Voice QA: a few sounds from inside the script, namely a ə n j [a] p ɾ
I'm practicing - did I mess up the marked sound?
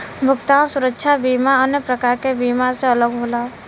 yes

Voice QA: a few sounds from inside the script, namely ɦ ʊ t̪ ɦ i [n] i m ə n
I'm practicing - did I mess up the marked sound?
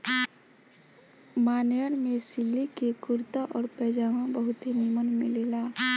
no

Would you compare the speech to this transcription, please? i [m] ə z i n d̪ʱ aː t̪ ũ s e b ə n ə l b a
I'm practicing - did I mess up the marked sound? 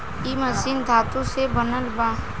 no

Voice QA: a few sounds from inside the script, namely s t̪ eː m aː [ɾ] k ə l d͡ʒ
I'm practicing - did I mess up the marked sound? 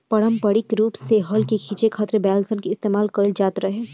yes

